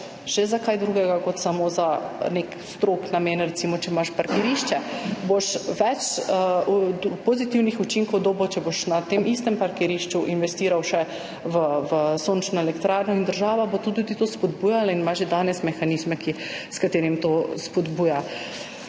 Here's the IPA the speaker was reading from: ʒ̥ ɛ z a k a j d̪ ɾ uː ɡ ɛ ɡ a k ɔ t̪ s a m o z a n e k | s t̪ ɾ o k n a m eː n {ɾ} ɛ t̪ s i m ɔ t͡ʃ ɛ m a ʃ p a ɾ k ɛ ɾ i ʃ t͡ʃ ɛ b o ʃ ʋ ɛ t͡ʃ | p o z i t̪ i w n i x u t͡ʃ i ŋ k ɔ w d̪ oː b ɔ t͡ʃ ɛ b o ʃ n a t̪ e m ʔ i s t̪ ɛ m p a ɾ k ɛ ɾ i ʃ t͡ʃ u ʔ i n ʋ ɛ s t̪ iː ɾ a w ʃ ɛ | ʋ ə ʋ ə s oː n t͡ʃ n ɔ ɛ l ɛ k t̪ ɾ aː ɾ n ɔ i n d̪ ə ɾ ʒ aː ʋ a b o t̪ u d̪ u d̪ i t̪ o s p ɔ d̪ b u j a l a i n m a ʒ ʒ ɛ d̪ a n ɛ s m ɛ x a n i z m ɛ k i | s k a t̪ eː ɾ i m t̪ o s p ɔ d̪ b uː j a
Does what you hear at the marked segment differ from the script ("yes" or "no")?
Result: no